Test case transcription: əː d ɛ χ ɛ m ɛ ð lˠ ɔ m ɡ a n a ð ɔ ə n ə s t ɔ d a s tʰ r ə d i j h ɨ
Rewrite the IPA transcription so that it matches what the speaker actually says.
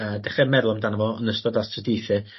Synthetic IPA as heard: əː d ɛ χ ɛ m ɛ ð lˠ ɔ m d a n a v ɔ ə n ə s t ɔ d a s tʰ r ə d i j θ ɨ